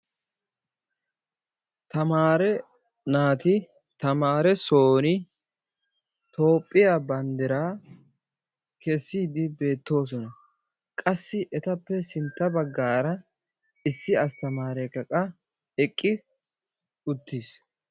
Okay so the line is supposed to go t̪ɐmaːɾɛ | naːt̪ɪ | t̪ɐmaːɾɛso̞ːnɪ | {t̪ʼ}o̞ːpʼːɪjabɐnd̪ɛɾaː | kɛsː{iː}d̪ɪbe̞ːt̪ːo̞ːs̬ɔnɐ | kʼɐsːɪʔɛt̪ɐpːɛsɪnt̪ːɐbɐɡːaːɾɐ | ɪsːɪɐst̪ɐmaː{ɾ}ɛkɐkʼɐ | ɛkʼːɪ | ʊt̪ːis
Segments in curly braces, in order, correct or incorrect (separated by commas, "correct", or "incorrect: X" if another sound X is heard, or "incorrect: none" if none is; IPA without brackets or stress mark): incorrect: t̪, correct, correct